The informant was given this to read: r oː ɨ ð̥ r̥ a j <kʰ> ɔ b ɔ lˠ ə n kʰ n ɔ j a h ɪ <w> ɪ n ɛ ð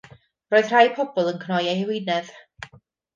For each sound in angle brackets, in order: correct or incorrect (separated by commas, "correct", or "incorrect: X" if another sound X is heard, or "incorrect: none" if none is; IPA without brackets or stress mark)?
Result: incorrect: pʰ, correct